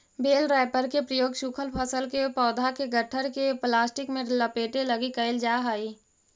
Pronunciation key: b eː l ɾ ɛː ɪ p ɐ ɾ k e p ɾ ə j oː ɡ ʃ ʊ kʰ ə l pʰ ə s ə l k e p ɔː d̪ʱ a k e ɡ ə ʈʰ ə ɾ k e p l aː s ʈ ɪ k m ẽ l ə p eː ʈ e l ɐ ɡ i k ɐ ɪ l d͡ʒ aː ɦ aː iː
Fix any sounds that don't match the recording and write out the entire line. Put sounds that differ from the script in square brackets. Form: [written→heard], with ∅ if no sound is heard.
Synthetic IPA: b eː l ɾ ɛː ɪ p [ɐ→ə] ɾ k e p ɾ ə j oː ɡ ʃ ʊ kʰ ə l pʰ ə s ə l k e p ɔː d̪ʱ a k e ɡ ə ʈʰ ə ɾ k e p l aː s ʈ ɪ k m ẽ l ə p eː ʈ e l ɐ ɡ i k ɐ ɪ l d͡ʒ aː ɦ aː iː